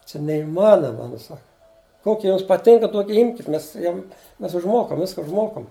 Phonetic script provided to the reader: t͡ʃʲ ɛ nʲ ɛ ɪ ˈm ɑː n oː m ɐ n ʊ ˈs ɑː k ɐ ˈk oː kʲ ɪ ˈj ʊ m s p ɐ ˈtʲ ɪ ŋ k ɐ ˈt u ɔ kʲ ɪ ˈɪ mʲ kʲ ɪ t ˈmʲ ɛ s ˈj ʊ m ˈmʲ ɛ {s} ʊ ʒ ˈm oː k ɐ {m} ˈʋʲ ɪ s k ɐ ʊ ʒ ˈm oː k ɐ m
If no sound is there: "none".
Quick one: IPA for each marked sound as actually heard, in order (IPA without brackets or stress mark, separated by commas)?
s, m